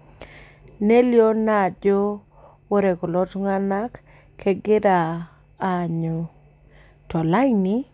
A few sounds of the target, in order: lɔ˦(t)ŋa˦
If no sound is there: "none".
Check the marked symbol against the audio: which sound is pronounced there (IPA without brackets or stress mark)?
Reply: t